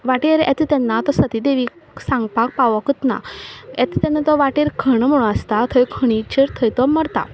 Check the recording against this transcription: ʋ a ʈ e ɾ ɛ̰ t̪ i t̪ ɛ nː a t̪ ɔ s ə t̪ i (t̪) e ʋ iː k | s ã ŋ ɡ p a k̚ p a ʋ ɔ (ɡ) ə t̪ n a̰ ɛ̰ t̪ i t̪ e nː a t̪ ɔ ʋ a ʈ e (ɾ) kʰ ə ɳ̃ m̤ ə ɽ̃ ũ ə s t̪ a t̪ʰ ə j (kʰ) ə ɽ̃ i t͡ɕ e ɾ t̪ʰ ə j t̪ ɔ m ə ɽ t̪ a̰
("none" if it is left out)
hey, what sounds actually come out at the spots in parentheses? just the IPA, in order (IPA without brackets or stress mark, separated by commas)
d̪, k, ɾ, kʰ